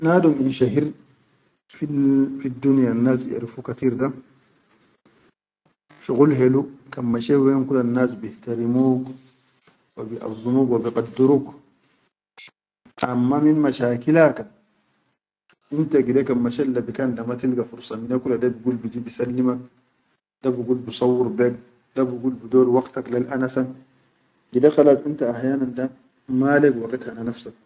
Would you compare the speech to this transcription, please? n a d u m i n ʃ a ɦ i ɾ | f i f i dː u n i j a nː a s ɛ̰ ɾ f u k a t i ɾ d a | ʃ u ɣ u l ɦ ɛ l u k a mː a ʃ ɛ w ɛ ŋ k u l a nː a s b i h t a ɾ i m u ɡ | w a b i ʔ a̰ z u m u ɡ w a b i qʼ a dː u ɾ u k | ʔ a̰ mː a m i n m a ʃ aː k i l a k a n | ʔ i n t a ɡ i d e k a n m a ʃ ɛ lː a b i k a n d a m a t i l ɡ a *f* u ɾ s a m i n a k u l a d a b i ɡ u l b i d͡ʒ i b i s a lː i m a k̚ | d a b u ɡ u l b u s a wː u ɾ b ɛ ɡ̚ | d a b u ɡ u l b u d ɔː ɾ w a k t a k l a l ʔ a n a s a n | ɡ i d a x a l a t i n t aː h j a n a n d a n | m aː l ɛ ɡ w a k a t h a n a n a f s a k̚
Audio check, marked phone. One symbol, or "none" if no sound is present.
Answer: f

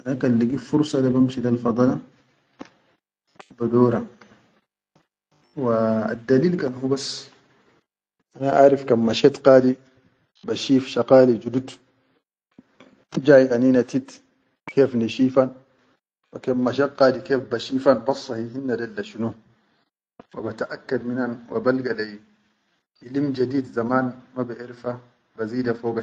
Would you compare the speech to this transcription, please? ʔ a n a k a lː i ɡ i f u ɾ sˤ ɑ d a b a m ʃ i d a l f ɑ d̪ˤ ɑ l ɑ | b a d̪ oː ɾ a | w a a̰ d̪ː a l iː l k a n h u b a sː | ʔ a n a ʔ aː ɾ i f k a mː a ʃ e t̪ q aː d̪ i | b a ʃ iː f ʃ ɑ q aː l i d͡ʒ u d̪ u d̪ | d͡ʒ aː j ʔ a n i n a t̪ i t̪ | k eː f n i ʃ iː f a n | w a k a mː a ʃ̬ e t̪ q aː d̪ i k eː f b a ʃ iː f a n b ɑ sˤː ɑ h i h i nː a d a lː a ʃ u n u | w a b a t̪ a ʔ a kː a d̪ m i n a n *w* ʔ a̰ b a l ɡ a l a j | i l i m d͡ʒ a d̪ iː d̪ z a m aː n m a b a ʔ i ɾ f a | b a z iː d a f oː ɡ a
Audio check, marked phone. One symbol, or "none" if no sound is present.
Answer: w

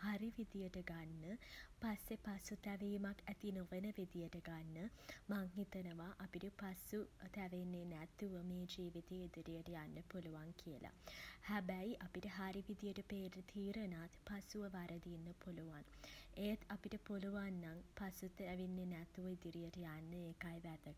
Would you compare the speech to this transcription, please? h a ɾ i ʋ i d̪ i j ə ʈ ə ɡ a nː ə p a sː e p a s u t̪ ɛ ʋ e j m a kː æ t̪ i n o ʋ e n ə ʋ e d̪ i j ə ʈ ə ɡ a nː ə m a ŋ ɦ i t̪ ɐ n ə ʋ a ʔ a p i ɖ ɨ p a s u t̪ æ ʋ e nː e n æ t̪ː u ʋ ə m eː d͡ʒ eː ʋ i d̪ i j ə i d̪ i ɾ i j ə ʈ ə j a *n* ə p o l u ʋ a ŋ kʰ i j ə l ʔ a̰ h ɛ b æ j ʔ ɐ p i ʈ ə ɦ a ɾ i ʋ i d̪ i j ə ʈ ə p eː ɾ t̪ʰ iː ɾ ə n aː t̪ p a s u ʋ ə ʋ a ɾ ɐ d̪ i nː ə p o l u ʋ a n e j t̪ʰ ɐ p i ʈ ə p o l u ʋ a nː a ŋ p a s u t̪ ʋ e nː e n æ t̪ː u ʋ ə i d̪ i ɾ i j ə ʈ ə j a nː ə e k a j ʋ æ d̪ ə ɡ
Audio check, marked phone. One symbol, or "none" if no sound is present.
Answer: nː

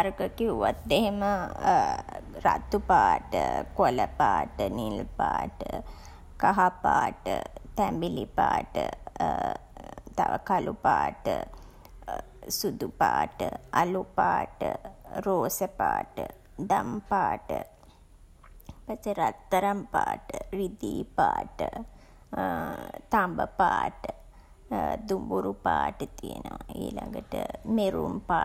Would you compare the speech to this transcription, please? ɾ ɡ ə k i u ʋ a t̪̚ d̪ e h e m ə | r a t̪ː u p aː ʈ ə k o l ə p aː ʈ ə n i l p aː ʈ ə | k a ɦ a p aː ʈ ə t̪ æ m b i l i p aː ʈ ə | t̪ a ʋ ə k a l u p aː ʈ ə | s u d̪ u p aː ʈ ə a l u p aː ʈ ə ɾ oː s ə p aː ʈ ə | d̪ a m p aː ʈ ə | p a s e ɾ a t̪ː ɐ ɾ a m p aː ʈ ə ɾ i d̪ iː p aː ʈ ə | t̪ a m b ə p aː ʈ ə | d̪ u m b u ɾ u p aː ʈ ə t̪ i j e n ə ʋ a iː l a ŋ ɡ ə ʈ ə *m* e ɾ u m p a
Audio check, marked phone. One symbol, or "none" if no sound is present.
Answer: m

